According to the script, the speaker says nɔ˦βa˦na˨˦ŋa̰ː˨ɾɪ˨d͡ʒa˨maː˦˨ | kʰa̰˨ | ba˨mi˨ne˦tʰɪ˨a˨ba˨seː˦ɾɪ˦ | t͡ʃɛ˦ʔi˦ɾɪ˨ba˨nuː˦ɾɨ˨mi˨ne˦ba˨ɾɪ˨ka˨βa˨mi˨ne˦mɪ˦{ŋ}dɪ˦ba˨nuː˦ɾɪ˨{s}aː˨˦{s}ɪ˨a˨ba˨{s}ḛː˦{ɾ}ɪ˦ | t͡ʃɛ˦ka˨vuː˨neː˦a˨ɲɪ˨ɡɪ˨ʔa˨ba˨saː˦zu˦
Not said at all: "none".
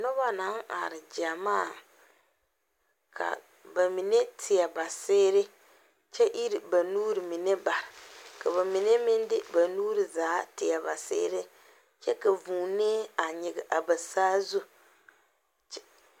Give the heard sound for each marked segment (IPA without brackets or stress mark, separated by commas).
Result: n, z, t, s, ɾ